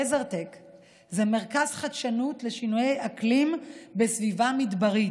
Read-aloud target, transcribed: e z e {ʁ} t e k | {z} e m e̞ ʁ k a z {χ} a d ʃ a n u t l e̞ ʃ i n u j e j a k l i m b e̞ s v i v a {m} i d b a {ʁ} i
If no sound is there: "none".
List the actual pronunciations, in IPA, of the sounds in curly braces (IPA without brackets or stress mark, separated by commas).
ʁ, z, χ, m, ʁ